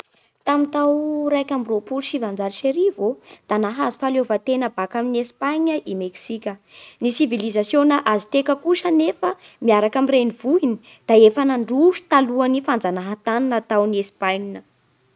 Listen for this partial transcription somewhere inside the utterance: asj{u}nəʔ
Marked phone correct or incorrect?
incorrect: o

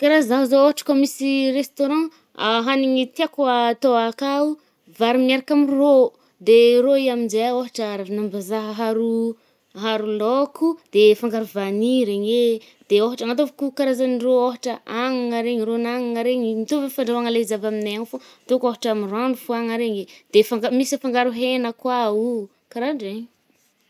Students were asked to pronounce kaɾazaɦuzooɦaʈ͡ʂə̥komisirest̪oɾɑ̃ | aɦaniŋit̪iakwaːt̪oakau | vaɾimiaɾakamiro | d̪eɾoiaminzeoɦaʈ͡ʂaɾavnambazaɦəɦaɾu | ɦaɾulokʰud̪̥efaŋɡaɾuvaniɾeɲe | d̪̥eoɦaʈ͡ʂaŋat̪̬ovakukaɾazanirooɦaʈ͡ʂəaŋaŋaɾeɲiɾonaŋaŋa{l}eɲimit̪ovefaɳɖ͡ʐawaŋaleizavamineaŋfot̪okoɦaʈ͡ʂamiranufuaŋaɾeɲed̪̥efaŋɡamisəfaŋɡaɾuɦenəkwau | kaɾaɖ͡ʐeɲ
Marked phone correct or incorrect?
incorrect: ɾ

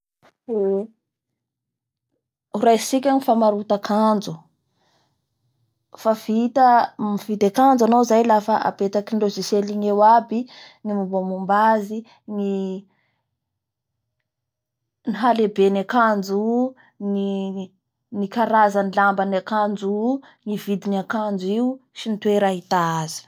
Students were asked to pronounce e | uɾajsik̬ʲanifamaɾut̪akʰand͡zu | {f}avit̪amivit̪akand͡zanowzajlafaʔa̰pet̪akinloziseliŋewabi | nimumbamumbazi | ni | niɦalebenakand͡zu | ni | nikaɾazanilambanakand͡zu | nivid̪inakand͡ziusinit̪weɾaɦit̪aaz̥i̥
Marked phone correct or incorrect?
correct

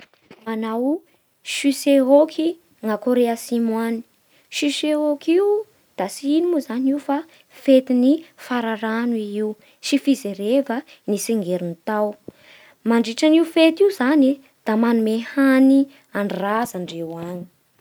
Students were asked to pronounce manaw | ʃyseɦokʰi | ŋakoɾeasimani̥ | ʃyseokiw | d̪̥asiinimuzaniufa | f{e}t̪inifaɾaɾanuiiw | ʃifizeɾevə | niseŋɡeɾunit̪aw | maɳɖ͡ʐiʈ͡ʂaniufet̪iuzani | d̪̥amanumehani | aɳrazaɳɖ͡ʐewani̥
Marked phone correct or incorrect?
correct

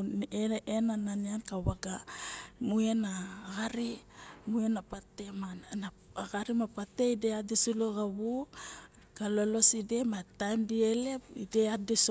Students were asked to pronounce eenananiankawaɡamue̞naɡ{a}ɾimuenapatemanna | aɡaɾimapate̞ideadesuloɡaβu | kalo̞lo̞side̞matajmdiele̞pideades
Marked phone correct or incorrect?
correct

